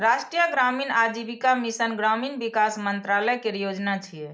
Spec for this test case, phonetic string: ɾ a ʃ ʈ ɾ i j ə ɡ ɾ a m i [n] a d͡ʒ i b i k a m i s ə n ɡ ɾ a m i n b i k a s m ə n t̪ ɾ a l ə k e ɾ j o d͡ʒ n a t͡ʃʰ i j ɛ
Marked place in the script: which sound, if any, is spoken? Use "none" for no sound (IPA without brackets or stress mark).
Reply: n